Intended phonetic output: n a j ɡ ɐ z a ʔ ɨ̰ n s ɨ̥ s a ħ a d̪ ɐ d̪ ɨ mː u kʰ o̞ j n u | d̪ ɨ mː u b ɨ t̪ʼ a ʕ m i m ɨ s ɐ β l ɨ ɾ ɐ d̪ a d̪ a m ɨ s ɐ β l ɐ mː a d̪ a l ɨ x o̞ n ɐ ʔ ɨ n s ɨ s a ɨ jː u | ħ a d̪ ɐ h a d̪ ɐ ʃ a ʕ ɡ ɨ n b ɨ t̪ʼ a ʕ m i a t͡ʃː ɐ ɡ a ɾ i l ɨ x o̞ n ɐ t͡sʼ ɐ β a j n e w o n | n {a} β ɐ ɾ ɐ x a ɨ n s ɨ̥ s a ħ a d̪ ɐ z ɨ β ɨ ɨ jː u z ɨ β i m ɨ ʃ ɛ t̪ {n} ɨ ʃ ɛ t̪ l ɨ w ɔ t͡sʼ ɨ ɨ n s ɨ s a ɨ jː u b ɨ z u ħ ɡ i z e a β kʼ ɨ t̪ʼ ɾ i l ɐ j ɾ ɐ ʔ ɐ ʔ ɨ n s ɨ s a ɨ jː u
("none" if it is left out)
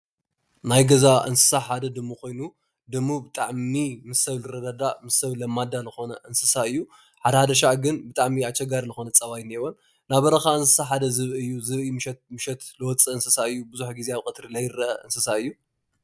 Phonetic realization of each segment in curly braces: a, m

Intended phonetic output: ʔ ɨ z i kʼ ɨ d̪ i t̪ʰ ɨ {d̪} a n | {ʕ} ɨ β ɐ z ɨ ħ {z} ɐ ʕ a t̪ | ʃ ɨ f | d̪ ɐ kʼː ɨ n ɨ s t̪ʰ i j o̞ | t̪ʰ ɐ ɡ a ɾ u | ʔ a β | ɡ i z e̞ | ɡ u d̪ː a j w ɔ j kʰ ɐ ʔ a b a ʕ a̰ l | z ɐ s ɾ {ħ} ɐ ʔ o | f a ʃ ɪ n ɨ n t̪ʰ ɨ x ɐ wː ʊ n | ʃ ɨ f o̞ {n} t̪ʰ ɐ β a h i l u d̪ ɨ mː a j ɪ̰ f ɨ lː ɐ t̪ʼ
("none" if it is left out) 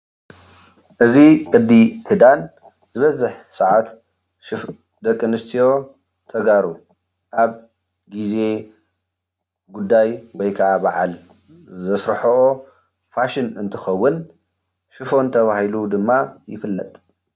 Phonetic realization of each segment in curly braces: d̪, z, s, ħ, n

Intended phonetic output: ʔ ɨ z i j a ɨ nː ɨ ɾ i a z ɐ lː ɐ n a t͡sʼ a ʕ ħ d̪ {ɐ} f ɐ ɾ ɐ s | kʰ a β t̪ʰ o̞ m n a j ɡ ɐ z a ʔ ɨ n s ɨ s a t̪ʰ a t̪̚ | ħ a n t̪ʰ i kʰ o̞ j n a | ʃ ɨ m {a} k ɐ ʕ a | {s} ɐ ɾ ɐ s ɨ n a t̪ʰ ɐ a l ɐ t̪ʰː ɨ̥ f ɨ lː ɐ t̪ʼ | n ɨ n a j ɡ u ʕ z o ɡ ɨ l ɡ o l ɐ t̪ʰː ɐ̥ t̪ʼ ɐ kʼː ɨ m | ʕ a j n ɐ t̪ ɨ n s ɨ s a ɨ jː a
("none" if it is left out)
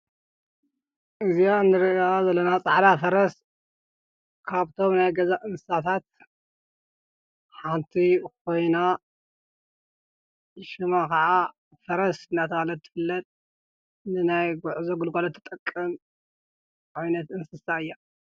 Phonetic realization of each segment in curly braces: a, a, f

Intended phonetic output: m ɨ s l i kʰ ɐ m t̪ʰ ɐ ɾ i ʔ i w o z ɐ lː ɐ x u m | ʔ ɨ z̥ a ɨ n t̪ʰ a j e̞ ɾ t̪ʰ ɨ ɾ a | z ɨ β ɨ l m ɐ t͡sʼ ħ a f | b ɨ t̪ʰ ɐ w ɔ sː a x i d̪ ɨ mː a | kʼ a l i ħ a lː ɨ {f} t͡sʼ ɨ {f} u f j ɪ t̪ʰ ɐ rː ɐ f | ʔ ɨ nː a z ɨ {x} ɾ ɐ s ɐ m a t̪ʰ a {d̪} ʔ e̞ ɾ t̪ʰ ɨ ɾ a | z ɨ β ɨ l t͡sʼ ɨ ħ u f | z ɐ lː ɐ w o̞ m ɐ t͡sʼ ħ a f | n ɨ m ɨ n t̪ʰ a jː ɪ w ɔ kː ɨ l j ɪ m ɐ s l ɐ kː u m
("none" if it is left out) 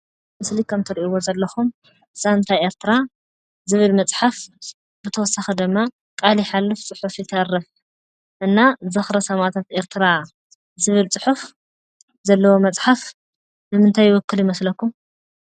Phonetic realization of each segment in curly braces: f, ħ, x, t̪

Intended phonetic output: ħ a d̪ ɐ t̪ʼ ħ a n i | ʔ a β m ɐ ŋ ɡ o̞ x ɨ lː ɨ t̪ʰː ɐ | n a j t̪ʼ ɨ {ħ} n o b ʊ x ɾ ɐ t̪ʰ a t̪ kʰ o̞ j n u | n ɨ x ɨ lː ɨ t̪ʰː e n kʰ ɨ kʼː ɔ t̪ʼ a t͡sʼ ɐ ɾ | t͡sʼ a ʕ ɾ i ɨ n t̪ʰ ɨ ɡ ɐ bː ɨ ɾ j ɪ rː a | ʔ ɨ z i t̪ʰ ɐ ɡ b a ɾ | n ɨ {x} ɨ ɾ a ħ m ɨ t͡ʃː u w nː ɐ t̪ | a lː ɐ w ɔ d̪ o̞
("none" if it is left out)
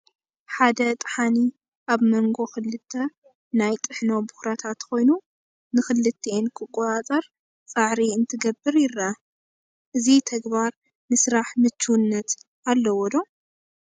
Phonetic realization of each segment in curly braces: ħ, s

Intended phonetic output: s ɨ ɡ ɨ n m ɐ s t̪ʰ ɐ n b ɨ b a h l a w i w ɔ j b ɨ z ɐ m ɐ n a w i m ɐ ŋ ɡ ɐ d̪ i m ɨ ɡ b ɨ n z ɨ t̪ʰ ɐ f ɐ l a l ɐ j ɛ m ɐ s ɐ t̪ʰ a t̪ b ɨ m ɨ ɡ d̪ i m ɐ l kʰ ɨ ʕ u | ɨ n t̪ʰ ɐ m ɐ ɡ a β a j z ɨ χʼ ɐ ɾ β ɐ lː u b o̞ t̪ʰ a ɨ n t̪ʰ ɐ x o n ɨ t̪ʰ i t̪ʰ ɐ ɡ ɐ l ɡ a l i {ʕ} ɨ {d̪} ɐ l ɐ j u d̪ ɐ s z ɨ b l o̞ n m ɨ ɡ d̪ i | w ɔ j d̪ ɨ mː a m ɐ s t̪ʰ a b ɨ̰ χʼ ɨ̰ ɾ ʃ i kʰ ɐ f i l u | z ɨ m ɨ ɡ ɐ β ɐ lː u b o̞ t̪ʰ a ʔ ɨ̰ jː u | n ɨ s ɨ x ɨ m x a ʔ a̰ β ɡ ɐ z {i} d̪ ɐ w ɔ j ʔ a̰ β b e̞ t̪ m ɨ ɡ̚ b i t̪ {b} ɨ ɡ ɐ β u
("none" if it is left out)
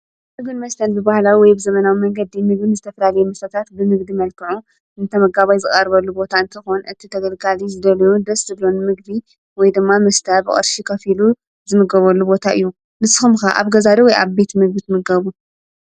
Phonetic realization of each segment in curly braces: z, d̪, a, m

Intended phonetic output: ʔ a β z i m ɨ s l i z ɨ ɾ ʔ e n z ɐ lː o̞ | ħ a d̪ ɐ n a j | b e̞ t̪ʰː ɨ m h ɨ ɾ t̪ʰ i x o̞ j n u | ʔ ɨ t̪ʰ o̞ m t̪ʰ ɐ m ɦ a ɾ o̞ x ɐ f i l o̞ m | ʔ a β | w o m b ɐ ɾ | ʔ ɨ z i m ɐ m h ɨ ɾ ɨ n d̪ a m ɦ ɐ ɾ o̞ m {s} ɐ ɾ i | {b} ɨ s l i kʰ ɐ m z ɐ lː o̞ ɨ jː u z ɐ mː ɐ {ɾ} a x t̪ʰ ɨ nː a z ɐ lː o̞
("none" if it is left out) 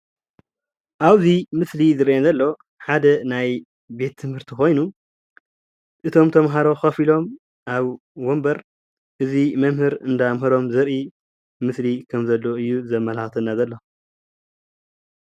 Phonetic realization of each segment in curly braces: z, m, l

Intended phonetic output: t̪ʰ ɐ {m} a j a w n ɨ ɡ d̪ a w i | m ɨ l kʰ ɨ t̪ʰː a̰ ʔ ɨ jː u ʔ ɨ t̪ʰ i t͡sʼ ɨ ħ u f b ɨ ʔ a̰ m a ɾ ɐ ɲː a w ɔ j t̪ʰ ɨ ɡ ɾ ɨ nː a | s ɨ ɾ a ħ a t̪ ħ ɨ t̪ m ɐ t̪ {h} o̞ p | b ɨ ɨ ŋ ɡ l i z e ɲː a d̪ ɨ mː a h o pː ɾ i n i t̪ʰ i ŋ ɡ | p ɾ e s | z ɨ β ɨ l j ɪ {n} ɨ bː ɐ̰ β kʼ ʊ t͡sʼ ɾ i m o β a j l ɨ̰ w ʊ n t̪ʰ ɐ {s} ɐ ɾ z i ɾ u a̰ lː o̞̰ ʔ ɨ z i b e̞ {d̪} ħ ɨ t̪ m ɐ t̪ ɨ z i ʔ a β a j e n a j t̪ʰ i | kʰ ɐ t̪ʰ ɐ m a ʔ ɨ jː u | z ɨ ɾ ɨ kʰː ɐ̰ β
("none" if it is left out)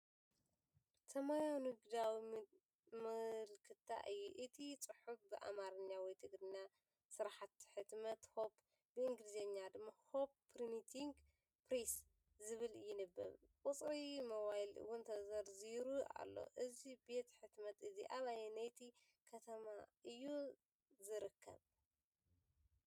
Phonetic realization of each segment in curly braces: m, h, n, z, t̪

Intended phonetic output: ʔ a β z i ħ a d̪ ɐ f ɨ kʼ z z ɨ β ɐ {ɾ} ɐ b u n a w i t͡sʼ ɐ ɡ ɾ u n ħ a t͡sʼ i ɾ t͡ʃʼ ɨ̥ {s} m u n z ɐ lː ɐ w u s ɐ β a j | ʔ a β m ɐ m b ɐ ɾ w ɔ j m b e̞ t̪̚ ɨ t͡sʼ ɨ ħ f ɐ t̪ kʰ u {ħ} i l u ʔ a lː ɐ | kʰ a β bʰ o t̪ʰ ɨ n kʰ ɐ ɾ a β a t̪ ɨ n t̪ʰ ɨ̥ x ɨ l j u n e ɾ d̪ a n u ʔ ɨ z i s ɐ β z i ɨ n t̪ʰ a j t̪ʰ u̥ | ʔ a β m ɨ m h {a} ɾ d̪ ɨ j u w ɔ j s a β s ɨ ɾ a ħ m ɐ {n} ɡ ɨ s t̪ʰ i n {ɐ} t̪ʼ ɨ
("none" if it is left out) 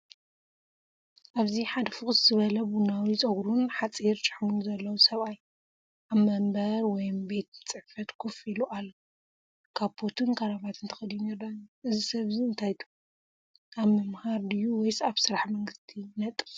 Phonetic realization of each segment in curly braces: l, ħ, f, a, ŋ, ɐ

